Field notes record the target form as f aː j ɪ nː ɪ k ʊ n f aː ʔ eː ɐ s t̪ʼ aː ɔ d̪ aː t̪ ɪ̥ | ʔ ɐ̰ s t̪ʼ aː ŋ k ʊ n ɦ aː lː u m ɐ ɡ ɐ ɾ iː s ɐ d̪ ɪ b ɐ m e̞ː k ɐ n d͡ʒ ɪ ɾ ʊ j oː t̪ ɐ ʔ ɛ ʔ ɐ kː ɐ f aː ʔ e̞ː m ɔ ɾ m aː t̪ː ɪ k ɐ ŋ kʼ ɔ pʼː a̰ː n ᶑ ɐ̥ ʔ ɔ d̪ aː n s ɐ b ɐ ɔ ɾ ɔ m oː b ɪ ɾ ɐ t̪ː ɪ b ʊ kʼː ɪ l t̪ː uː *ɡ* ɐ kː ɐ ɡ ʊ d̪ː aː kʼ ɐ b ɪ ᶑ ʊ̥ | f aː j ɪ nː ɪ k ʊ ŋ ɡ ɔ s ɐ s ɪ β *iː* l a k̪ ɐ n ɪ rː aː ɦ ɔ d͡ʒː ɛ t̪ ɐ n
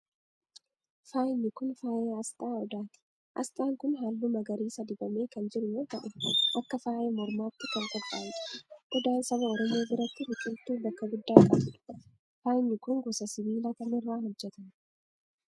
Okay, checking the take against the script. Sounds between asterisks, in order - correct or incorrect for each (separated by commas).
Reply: incorrect, correct